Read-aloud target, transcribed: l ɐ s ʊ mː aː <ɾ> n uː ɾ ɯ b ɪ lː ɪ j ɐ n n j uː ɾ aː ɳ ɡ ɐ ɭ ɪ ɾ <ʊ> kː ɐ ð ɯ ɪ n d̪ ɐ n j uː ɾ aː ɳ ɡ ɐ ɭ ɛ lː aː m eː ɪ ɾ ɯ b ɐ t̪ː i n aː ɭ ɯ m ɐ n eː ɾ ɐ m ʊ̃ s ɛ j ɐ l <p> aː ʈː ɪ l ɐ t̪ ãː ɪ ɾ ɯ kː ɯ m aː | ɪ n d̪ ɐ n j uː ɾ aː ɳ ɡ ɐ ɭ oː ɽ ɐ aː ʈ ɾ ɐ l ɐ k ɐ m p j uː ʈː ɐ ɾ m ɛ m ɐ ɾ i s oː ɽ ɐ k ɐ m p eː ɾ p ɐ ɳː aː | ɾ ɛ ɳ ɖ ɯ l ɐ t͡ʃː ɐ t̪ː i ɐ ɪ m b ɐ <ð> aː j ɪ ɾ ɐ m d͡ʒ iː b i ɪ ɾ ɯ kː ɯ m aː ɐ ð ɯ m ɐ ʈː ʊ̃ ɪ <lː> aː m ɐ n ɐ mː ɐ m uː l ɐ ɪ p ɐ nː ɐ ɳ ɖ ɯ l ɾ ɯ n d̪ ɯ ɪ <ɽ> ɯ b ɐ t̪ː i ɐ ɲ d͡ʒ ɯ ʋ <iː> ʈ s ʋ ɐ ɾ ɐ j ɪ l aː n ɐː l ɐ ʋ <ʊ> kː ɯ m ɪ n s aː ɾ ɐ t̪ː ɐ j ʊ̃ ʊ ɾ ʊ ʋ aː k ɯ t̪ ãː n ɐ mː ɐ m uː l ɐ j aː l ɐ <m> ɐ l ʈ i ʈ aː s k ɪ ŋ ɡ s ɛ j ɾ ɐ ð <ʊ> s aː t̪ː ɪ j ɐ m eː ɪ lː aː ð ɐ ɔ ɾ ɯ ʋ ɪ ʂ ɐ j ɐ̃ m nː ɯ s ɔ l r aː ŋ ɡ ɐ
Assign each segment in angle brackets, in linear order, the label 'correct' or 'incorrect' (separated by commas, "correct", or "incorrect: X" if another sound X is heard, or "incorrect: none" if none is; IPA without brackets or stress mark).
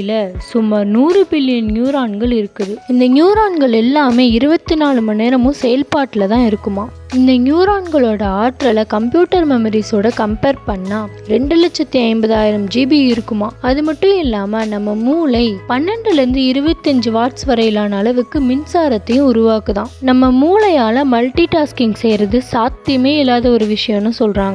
correct, incorrect: ɯ, correct, correct, correct, incorrect: ɾ, incorrect: aː, incorrect: ɯ, correct, incorrect: ɯ